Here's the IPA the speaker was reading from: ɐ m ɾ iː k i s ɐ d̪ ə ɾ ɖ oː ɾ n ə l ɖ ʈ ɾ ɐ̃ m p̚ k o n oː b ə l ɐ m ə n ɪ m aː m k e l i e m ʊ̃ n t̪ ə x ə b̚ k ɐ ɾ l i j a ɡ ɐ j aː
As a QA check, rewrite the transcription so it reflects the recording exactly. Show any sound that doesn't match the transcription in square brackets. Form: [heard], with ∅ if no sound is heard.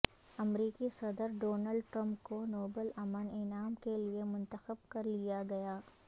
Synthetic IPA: ɐ m ɾ iː k i s ɐ d̪ ə ɾ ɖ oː [∅] n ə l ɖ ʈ ɾ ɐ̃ m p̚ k o n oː b ə l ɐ m ə n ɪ [n] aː m k e l i e m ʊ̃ n t̪ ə x ə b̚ k ɐ ɾ l i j a ɡ ɐ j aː